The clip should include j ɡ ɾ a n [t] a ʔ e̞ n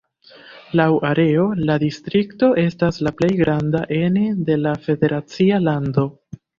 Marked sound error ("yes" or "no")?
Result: yes